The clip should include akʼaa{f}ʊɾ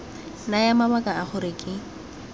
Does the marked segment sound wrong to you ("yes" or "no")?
yes